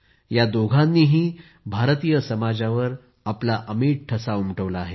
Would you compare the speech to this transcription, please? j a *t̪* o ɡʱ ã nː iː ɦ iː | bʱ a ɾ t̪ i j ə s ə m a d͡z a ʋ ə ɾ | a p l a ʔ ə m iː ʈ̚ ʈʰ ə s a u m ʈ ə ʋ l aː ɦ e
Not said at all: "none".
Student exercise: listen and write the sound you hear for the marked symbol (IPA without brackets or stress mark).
d̪